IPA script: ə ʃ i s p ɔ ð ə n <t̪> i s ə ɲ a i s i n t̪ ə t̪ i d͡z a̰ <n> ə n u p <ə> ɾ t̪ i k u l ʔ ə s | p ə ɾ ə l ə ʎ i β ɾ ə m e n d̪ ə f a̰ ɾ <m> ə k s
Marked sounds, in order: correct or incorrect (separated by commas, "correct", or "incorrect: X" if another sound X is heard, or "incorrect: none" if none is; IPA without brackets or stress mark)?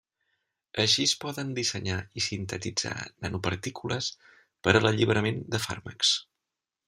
incorrect: d̪, correct, correct, correct